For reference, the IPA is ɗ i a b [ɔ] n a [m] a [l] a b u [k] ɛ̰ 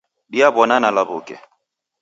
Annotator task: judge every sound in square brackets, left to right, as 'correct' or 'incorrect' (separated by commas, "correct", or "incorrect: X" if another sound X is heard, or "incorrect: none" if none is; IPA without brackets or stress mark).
correct, incorrect: n, correct, correct